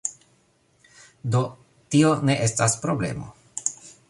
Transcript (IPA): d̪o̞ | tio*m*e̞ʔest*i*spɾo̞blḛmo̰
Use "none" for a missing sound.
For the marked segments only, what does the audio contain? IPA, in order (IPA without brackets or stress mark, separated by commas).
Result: n, a